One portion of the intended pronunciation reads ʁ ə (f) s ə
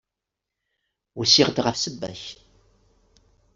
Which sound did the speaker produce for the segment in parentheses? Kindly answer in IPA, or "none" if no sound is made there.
f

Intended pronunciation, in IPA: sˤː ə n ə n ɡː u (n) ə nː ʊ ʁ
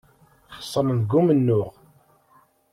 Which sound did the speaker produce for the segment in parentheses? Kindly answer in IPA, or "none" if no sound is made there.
m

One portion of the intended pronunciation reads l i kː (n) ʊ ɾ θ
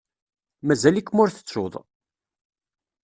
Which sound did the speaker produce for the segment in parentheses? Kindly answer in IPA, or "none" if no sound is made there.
m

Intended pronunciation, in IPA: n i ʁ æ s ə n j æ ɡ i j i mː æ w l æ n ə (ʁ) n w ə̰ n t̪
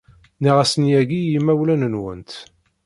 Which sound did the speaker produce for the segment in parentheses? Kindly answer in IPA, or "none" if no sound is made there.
none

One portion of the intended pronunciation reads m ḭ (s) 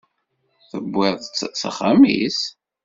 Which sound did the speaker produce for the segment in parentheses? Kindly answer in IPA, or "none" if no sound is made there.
s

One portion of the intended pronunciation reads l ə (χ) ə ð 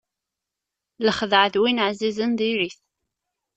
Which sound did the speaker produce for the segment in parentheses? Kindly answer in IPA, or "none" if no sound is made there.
χ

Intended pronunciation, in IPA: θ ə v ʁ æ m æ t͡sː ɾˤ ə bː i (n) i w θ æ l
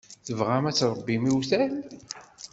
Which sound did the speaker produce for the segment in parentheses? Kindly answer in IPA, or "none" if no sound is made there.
m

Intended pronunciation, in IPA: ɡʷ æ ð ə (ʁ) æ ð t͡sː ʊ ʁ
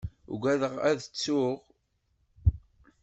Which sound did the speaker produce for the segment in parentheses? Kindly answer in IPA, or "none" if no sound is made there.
ʁ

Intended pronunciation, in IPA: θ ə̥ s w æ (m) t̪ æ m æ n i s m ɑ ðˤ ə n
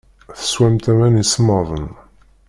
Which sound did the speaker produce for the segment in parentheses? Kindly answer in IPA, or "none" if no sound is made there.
m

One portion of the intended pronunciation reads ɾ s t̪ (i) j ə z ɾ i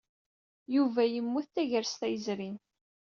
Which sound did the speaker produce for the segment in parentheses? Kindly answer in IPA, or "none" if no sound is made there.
æ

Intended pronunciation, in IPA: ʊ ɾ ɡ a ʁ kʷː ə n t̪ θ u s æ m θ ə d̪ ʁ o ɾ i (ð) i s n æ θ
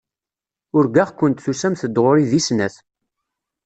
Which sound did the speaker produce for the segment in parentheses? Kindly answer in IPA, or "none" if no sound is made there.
ð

